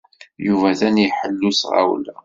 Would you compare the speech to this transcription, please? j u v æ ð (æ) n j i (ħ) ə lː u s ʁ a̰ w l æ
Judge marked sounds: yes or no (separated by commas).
yes, yes